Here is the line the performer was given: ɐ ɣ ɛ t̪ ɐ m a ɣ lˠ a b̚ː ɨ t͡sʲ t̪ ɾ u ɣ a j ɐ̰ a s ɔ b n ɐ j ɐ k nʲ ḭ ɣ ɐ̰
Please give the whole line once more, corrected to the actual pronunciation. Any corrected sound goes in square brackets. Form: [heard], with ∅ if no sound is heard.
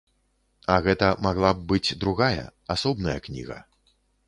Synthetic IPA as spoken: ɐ ɣ ɛ t̪ ɐ m a ɣ lˠ a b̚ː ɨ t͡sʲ [d̪] ɾ u ɣ a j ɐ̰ a s ɔ b n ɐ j ɐ k nʲ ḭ ɣ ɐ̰